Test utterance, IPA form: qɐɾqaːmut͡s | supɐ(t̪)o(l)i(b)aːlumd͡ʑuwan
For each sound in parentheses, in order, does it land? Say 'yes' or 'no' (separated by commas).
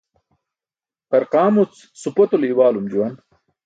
yes, yes, no